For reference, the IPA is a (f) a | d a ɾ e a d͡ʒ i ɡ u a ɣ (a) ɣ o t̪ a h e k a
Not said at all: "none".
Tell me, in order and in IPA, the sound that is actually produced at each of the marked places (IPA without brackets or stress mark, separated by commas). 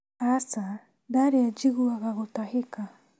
s, a